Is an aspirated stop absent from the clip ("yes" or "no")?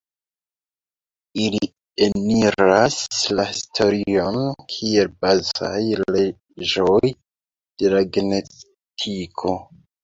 no